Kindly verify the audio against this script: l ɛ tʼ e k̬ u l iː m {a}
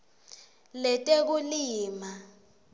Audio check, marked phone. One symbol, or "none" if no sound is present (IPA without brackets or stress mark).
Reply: a